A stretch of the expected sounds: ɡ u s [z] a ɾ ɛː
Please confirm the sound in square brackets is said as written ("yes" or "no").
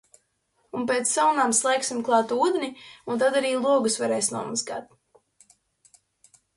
no